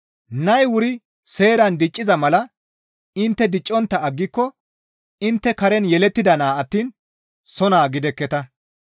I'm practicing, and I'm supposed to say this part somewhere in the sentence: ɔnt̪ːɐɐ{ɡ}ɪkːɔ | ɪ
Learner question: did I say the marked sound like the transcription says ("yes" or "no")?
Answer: no